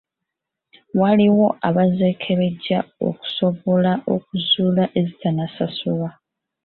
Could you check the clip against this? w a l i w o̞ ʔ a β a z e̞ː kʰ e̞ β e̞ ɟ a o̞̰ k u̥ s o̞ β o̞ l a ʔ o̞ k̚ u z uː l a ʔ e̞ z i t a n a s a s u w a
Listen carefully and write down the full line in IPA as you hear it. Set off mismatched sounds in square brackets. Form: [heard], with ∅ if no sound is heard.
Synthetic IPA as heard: w a l i w o̞ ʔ a β a z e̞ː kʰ e̞ β e̞ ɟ a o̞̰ k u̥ s o̞ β o̞ l a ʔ o̞ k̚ u z uː l a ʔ e̞ z i t a n a s a s u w a